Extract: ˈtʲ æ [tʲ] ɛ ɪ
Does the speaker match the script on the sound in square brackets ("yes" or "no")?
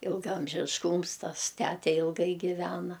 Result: yes